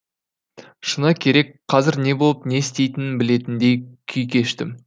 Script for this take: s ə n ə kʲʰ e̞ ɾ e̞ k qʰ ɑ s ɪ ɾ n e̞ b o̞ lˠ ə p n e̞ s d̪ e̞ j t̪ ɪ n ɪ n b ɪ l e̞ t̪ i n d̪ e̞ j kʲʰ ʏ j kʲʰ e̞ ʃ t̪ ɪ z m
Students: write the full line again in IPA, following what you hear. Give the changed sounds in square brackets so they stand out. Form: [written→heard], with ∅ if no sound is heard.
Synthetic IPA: [s→ʃ] ə n [ə→ɑ] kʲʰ e̞ ɾ e̞ k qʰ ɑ [s→z] ɪ ɾ n e̞ b o̞ lˠ ə p n e̞ s [d̪→t̪] e̞ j t̪ ɪ n ɪ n b ɪ l e̞ t̪ [i→ɪ] n d̪ e̞ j kʲʰ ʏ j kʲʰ e̞ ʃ t̪ ɪ [z→∅] m